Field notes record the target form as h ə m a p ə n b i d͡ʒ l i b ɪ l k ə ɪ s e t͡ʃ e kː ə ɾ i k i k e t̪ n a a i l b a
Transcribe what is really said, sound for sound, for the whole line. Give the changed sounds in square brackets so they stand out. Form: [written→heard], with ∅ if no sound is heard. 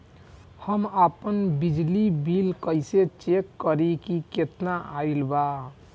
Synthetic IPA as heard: h ə m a p ə n b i d͡ʒ l i b [ɪ→i] l k ə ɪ s e t͡ʃ e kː ə ɾ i k i k e t̪ n a a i l b a

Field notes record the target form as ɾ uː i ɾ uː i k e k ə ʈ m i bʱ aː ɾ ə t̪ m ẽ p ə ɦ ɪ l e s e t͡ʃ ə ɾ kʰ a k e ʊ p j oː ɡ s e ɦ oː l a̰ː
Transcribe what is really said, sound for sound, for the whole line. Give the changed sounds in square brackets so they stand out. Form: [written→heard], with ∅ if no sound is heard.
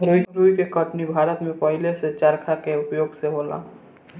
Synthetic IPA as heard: ɾ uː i ɾ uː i k e k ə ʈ [m→n] i bʱ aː ɾ ə t̪ m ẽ p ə ɦ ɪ l e s e t͡ʃ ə ɾ kʰ a k e ʊ p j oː ɡ s e ɦ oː l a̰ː

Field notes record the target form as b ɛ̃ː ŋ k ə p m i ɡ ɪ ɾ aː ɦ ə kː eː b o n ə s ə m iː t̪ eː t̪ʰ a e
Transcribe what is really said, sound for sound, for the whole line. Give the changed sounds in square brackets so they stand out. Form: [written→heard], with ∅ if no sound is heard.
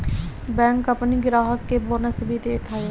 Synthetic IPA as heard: b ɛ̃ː ŋ k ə p [m→n] i ɡ ɪ ɾ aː ɦ ə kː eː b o n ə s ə [m→b] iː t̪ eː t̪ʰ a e

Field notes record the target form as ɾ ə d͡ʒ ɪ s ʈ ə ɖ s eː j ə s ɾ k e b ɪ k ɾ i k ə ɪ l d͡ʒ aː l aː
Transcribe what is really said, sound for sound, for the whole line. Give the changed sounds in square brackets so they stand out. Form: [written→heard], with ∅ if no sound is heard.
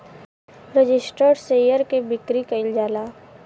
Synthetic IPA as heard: ɾ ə d͡ʒ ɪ s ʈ ə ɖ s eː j ə [s→∅] ɾ k e b ɪ k ɾ i k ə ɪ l d͡ʒ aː l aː

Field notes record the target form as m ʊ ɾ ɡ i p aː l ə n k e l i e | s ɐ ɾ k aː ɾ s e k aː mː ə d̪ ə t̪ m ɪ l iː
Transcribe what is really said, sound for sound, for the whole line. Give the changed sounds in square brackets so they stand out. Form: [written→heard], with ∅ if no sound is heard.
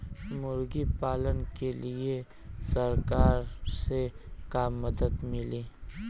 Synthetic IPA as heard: m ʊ ɾ ɡ i p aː l ə n k e l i e | s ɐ ɾ k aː ɾ s e k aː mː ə d̪ ə [t̪→d̪] m ɪ l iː

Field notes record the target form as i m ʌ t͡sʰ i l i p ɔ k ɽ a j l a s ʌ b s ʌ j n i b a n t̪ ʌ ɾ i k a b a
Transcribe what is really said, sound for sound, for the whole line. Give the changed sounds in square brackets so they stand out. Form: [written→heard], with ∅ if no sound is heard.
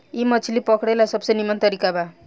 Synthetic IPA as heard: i m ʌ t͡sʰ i l i p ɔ k ɽ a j l a s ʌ b s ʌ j n i [b→m] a n t̪ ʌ ɾ i k a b a

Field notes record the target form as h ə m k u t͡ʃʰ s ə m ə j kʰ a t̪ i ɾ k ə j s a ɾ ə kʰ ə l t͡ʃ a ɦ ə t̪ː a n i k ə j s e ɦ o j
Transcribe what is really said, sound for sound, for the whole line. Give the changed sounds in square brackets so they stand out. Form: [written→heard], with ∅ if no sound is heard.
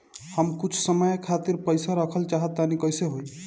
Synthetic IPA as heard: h ə m k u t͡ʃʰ s ə m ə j kʰ a t̪ i ɾ [k→p] ə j s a ɾ ə kʰ ə l t͡ʃ a ɦ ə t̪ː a n i k ə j s e ɦ o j

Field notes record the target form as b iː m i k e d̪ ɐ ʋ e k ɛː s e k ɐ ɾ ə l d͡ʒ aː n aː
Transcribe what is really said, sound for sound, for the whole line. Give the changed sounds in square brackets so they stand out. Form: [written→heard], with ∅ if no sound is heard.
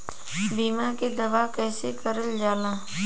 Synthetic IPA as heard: b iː m [i→a] k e d̪ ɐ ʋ [e→a] k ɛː s e k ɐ ɾ ə l d͡ʒ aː n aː

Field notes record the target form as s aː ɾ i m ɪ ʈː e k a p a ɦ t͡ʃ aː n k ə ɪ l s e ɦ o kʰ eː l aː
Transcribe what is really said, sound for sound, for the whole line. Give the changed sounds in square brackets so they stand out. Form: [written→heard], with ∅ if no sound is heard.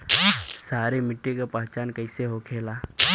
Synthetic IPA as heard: s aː ɾ [i→e] m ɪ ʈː e k a p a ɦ t͡ʃ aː n k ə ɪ [l→∅] s e ɦ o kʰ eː l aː

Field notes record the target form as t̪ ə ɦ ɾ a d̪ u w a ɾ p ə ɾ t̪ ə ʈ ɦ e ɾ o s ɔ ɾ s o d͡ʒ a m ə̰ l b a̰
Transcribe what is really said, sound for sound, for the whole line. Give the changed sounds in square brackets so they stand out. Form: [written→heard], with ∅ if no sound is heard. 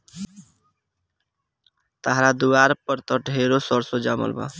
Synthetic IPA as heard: t̪ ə ɦ ɾ a d̪ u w a ɾ p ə ɾ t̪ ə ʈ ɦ e ɾ o s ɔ ɾ s o d͡ʒ a m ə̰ l b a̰

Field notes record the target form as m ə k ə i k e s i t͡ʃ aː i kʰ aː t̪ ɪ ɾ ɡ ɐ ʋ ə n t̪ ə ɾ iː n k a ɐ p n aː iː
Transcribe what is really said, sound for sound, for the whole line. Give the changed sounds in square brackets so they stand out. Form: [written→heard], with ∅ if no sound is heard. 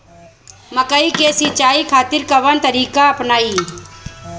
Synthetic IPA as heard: m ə k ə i k e s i t͡ʃ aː i kʰ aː t̪ ɪ ɾ [ɡ→k] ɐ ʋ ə n t̪ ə ɾ iː [n→∅] k a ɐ p n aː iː

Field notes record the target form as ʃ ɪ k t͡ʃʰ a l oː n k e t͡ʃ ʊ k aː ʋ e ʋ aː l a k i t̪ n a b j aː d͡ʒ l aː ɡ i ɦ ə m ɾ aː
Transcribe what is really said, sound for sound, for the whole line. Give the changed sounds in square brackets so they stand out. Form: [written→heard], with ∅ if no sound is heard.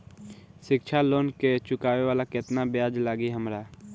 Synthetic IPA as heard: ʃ ɪ k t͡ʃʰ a l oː n k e t͡ʃ ʊ k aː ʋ e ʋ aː l a k [i→ɪ] t̪ n a b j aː d͡ʒ l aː ɡ i ɦ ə m ɾ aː

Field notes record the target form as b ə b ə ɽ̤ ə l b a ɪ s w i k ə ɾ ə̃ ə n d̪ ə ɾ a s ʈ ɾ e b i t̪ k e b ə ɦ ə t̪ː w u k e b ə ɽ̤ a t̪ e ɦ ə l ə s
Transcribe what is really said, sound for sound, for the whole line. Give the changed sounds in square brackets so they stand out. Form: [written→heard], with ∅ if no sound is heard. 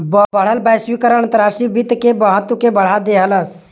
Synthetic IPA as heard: b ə b ə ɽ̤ ə l b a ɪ s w i k ə ɾ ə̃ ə n [d̪→t̪] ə ɾ a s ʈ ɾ [e→i] b i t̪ k e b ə ɦ ə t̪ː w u k e b ə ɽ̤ a [t̪→d̪] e ɦ ə l ə s

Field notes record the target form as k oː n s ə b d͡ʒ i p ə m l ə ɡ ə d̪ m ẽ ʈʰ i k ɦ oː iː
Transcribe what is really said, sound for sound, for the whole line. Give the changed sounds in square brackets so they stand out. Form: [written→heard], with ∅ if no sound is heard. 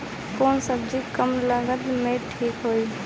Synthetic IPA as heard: k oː n s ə b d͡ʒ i [p→k] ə m l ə ɡ ə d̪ m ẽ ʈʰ [i→iː] k ɦ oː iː

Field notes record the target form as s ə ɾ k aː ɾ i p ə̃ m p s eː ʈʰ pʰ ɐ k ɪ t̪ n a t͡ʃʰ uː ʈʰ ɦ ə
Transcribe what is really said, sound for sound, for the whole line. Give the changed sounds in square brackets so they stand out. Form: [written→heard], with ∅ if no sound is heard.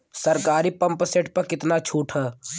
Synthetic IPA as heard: s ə ɾ k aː ɾ i p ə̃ m p s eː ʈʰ [pʰ→p] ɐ k ɪ t̪ n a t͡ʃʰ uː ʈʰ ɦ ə

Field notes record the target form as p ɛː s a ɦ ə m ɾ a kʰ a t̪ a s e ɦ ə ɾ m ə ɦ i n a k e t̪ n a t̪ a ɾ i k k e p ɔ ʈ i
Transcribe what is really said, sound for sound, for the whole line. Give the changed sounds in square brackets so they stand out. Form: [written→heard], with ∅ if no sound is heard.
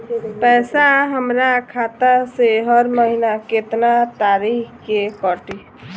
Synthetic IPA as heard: p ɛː s a ɦ ə m ɾ a kʰ a t̪ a s e ɦ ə ɾ m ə ɦ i n a k e t̪ n a t̪ a ɾ i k k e [p→k] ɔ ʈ i

